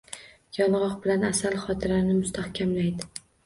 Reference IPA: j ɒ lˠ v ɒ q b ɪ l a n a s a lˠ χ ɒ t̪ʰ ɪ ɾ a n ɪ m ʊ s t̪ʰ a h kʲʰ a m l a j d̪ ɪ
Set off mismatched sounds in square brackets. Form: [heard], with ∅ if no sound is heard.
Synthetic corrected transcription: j ɒ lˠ [ʁ] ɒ q b ɪ l a n a s a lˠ χ ɒ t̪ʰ ɪ ɾ a n ɪ m ʊ s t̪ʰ a h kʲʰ a m l a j d̪ ɪ